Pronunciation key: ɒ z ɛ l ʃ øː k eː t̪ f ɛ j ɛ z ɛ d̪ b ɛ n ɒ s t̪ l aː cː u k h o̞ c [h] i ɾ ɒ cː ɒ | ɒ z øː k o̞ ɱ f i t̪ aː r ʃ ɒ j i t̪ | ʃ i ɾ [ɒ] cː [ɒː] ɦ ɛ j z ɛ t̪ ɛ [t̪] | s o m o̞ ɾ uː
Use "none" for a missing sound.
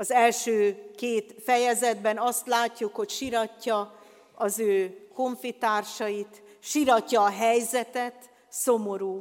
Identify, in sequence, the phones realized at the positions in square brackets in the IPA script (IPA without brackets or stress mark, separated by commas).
ʃ, ɒ, ɒː, t̪